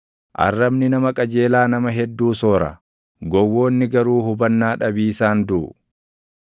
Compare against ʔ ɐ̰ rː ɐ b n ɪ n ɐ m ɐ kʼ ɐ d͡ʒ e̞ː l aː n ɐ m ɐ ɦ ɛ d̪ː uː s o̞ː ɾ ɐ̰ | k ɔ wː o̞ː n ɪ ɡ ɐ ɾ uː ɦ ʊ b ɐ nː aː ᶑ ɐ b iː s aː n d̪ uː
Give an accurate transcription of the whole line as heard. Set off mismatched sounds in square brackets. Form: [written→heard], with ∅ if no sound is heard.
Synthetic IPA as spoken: ʔ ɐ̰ rː ɐ b n ɪ n ɐ m ɐ kʼ ɐ d͡ʒ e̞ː l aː n ɐ m ɐ ɦ ɛ d̪ː uː s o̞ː ɾ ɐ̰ | [k→ɡ] ɔ wː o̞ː [n→nː] ɪ ɡ ɐ ɾ uː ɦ ʊ b ɐ nː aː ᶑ ɐ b iː s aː n d̪ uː

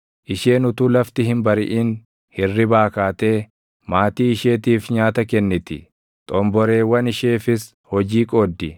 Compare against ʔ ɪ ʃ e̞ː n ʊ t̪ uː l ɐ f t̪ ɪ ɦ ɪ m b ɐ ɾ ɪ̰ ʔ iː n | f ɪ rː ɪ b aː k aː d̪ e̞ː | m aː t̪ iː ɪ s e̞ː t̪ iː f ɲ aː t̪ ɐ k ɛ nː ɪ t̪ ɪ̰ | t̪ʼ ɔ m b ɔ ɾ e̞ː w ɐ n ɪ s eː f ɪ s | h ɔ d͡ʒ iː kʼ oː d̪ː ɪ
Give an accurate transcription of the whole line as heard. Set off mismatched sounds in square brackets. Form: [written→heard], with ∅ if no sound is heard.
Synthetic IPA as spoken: ʔ ɪ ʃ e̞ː n ʊ t̪ uː l ɐ f t̪ ɪ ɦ ɪ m b ɐ ɾ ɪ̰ ʔ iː n | [f→h] ɪ rː ɪ b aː k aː [d̪→t̪] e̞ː | m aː t̪ iː ɪ [s→ʃ] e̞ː t̪ iː f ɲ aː t̪ ɐ k ɛ nː ɪ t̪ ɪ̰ | t̪ʼ ɔ m b ɔ ɾ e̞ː w ɐ n ɪ [s→ʃ] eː f ɪ s | h ɔ d͡ʒ iː kʼ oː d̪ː ɪ

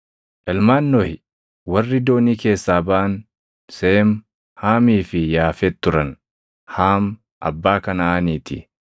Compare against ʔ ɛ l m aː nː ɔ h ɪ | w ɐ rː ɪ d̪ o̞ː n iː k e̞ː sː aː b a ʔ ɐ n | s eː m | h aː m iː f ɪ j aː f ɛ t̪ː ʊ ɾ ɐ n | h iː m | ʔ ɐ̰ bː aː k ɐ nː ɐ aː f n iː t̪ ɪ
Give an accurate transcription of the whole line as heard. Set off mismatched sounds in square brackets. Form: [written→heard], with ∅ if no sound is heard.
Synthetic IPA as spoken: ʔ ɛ l m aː nː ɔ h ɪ | w ɐ rː ɪ d̪ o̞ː n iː k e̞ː sː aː b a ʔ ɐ n | s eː m | h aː m iː f ɪ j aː f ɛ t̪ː ʊ ɾ ɐ n | h [iː→aː] m | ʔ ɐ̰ bː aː k ɐ [nː→n] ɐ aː [f→∅] n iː t̪ ɪ

